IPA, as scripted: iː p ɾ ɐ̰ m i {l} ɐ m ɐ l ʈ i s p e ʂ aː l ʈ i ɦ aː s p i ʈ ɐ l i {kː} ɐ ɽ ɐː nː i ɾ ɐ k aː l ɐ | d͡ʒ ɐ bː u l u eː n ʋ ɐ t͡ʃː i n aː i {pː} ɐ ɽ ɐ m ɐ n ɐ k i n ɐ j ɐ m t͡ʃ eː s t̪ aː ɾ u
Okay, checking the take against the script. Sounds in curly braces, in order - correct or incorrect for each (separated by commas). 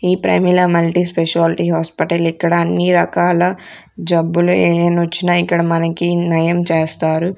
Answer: correct, correct, incorrect